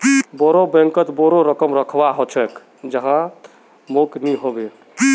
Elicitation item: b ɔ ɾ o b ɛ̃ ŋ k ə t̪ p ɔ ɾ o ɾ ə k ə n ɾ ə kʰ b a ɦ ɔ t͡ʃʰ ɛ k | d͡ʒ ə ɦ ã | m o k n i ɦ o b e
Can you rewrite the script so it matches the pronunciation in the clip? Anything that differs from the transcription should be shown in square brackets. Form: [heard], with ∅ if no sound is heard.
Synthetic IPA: b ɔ ɾ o b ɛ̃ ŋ k ə t̪ [b] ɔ ɾ o ɾ ə k ə [m] ɾ ə kʰ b a ɦ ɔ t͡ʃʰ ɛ k | d͡ʒ ə ɦ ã | m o k n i ɦ o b e